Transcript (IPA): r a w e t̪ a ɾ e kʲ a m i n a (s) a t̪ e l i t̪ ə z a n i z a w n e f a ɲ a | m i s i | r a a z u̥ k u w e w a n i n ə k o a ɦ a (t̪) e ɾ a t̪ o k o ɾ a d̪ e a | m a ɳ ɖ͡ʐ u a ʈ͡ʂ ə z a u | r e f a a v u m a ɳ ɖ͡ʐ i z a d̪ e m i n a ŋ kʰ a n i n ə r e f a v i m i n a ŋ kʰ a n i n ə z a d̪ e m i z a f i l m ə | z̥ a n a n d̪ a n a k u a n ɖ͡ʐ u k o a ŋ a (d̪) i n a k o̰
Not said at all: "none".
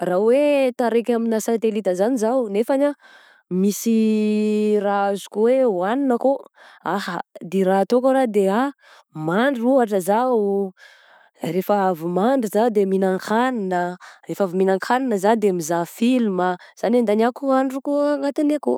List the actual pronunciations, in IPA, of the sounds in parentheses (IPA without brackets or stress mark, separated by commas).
s, d̪, t̪